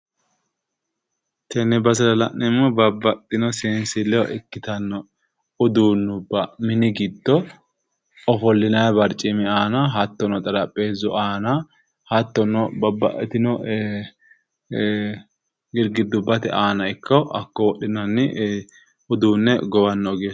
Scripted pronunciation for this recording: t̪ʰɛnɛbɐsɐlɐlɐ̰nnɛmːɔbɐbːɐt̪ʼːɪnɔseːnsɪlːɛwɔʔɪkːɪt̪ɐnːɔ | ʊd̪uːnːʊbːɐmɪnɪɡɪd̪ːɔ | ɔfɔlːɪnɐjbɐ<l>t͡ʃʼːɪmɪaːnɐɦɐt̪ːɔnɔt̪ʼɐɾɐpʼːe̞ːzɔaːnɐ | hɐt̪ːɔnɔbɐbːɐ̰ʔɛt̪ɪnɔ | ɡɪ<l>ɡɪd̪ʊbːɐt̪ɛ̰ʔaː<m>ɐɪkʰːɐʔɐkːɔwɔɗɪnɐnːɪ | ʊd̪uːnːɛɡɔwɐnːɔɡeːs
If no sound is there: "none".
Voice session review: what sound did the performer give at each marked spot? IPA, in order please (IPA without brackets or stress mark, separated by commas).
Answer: ɾ, ɾ, n